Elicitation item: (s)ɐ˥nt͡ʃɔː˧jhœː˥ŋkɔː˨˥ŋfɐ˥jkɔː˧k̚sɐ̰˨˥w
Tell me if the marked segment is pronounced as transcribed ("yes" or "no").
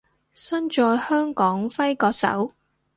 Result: yes